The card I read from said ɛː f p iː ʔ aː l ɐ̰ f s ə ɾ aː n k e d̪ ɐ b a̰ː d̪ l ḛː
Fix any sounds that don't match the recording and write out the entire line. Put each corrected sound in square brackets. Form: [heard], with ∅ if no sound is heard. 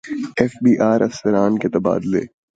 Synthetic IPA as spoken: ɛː f [b] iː ʔ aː [ɾ] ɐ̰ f s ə ɾ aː n k e [t̪] ɐ b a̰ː d̪ l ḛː

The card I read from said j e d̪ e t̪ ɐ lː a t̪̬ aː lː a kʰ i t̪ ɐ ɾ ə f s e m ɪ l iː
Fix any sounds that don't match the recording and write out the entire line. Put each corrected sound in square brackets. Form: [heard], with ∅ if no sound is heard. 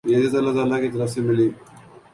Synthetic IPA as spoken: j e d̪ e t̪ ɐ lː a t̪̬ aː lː a [k] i t̪ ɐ ɾ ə f s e m ɪ l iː

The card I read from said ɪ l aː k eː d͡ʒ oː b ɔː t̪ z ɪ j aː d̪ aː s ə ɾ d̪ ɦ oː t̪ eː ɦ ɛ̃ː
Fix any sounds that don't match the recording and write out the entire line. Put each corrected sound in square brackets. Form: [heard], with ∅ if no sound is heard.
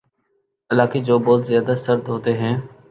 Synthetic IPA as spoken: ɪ l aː k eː d͡ʒ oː b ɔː t̪ z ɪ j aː d̪ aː s ə ɾ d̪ ɦ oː t̪ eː ɦ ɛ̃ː

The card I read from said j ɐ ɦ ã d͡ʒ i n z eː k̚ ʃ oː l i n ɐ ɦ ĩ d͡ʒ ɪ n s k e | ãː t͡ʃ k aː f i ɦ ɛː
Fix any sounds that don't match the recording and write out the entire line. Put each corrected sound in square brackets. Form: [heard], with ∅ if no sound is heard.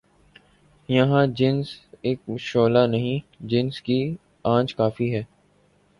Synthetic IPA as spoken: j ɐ ɦ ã d͡ʒ [ɪ] n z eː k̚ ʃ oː l [a] n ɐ ɦ ĩ d͡ʒ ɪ n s k [i] | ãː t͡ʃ k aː f i ɦ ɛː

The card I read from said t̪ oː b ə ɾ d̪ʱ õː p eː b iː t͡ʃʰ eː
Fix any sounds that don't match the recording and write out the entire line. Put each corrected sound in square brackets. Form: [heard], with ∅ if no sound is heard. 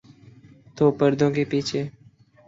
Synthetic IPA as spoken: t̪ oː [p] ə ɾ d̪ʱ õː [k] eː [p] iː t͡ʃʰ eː

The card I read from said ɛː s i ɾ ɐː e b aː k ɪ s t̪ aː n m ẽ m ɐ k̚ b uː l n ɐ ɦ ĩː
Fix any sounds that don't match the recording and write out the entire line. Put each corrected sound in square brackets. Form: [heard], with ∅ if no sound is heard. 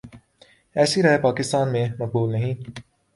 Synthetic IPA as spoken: ɛː s i ɾ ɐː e [p] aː k ɪ s t̪ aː n m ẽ m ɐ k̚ b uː l n ɐ ɦ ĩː

